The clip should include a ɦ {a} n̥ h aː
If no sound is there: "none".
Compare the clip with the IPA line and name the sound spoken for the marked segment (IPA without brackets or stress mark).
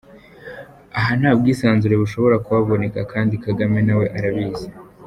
a